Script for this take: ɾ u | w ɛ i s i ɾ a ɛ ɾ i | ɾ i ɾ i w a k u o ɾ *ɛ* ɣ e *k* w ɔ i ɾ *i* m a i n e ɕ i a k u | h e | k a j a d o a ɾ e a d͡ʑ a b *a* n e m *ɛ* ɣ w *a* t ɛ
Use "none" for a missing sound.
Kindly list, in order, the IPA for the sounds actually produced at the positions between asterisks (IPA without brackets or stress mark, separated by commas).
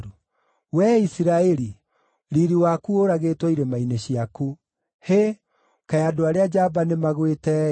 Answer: a, t, e, a, a, e